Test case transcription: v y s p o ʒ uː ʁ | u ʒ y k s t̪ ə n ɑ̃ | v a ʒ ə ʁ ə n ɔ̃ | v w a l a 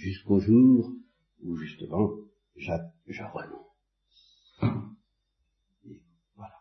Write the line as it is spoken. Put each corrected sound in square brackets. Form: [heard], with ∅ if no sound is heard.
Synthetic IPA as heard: [ʒ] y s [k] o ʒ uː ʁ | u ʒ y [∅] s t̪ ə [m] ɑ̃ | [ʒ] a ʒ ə ʁ ə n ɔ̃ | v w a l a